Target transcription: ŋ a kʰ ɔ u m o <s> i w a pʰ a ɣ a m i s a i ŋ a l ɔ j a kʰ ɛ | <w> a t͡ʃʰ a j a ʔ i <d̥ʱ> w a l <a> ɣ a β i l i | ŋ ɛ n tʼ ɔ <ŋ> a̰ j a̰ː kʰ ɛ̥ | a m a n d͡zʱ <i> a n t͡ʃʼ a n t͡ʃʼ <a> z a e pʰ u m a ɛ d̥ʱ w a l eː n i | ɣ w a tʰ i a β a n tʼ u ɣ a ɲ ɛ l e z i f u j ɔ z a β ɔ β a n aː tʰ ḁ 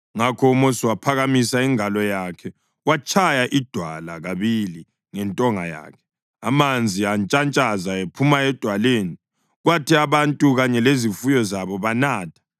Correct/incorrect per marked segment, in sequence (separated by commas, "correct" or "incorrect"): correct, correct, correct, correct, correct, correct, correct